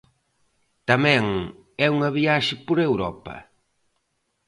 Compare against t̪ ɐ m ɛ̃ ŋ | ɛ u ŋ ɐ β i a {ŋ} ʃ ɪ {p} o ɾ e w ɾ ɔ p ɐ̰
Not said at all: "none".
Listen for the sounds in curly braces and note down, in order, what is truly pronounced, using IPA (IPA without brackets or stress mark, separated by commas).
none, p